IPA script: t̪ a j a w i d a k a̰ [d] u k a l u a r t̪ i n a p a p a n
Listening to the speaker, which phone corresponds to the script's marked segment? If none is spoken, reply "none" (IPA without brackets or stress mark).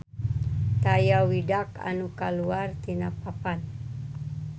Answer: n